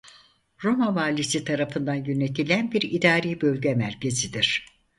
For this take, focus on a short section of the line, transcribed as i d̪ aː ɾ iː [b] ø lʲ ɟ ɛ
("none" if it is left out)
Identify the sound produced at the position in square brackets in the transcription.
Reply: b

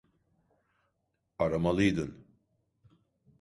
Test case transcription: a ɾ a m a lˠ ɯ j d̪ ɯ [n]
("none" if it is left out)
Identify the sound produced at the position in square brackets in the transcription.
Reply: n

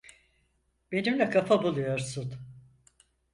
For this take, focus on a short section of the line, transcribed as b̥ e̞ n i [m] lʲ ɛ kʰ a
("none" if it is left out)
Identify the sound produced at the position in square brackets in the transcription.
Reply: m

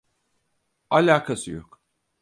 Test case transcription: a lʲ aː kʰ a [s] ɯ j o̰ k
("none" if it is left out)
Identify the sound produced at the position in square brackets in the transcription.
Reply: s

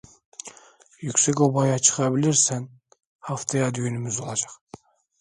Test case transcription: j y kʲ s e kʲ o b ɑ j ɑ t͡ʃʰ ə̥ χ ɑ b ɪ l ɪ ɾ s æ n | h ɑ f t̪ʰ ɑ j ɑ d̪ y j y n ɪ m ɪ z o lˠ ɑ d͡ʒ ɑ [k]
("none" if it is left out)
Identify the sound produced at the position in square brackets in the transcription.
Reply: q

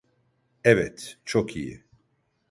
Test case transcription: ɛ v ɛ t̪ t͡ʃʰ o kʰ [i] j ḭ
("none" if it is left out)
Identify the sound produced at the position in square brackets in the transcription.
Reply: i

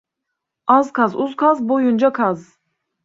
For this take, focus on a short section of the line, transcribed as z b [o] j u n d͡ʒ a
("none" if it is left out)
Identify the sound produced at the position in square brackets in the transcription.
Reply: o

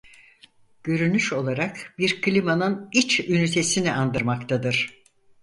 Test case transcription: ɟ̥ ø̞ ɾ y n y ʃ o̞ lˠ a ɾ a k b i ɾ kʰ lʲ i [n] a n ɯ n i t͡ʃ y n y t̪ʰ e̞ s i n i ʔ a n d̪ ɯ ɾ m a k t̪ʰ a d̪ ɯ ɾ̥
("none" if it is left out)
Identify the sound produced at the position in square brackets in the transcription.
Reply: m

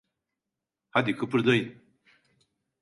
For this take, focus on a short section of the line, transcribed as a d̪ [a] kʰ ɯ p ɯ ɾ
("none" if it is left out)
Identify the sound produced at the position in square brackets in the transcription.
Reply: i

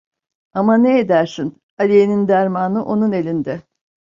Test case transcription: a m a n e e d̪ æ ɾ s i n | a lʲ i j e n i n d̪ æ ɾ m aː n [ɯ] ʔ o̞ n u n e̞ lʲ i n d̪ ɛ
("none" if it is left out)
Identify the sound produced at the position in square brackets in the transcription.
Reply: ɯ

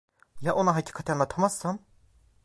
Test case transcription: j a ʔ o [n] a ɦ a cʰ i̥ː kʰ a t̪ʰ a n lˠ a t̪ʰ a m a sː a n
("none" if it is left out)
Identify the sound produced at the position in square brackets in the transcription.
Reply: n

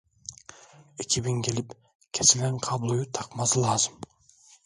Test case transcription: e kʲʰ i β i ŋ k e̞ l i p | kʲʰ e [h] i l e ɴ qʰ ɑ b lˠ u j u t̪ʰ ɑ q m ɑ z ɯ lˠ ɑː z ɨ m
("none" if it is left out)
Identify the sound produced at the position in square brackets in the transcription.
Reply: s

